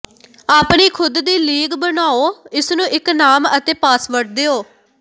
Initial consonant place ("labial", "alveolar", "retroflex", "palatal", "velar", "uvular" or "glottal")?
labial